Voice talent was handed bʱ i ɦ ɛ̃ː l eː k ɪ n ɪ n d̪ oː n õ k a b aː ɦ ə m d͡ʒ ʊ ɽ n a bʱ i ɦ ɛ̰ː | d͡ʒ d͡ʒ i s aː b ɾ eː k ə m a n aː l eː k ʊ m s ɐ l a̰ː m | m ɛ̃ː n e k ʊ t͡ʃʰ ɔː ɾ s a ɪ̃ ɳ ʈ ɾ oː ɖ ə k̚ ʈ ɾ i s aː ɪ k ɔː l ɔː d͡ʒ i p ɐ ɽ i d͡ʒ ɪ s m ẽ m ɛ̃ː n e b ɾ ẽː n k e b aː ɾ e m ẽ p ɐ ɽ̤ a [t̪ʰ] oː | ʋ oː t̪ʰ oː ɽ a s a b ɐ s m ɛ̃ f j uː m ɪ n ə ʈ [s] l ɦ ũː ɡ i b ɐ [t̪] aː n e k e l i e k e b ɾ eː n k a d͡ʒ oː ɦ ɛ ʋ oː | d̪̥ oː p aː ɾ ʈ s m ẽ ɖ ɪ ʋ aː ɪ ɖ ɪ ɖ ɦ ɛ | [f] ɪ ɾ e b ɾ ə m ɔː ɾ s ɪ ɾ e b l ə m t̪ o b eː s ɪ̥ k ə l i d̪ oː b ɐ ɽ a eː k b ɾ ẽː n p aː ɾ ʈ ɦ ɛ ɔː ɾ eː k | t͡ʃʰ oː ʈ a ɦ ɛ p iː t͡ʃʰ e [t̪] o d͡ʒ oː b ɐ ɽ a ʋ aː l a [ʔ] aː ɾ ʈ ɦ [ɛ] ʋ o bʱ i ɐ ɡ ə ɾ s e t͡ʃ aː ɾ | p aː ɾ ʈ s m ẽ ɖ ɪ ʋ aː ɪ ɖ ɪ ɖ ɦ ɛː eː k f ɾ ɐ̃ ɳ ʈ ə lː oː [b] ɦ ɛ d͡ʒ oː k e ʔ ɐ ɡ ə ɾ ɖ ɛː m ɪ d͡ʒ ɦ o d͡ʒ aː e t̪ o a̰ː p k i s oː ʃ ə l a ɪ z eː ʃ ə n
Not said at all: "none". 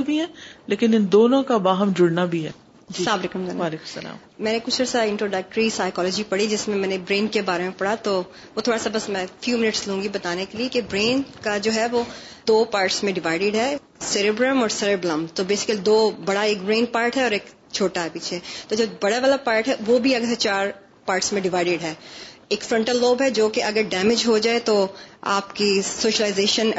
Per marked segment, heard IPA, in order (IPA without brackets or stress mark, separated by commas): t̪, s, t̪, s, t̪, p, ɛ, b